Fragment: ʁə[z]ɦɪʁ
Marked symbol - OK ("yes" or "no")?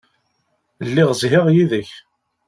yes